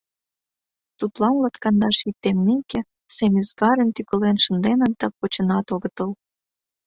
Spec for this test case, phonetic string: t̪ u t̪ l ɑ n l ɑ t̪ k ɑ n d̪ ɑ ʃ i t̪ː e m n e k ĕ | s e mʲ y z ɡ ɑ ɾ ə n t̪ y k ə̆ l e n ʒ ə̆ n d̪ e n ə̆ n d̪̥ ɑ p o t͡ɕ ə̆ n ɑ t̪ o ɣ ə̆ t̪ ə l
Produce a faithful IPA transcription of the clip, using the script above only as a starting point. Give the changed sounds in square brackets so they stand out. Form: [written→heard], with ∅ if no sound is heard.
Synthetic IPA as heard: t̪ u t̪ l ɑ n l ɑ t̪ k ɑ n d̪ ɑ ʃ i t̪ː e m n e k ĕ | s e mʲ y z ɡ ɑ ɾ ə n t̪ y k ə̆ l e n [ʒ→ʃ] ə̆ n d̪ e n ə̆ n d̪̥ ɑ p o t͡ɕ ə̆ n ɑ t̪ o ɣ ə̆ t̪ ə l